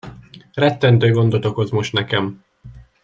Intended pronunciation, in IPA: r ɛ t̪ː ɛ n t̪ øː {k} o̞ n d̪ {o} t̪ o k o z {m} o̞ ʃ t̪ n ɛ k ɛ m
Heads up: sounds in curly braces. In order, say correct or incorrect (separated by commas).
incorrect, correct, correct